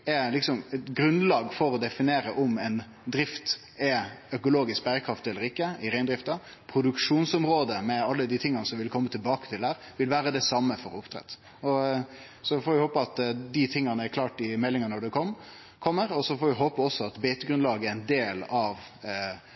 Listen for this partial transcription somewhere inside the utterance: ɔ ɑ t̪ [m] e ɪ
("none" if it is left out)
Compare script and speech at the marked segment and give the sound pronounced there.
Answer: b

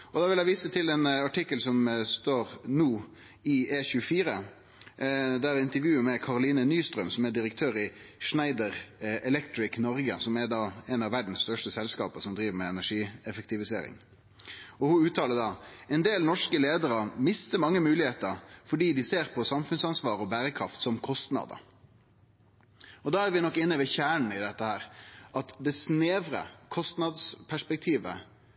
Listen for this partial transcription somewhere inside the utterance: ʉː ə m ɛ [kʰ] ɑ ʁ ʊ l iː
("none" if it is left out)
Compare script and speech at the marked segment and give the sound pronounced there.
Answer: kʰ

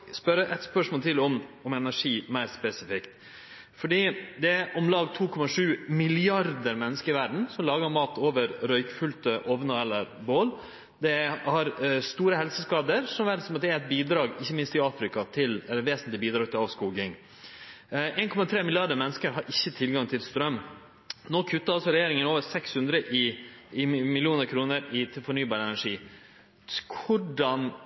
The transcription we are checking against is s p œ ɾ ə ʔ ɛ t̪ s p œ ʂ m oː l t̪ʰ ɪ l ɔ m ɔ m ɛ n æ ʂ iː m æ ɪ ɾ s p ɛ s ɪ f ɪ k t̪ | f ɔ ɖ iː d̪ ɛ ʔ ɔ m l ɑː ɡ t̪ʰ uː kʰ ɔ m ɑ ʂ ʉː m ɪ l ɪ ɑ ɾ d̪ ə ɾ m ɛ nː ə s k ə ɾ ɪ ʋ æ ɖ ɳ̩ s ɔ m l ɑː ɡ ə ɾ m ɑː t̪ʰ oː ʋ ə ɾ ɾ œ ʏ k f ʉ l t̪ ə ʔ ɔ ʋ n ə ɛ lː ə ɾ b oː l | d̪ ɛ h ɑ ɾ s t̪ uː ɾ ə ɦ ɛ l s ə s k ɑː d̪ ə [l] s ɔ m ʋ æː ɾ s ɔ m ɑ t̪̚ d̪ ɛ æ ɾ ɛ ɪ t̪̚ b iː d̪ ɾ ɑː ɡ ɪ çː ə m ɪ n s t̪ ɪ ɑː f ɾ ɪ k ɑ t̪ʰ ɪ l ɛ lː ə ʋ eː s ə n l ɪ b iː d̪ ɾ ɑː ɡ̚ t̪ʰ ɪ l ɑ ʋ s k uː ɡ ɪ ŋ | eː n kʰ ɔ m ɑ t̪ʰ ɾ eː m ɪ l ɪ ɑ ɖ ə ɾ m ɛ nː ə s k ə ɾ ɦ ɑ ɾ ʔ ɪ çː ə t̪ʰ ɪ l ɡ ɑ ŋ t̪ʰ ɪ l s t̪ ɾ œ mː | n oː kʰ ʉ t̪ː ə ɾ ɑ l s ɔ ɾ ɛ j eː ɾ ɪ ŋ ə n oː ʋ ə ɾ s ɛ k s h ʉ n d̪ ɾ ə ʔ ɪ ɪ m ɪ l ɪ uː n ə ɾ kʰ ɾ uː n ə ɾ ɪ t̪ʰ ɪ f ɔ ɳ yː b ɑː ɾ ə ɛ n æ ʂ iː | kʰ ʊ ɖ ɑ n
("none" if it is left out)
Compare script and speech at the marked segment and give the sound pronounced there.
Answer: ɾ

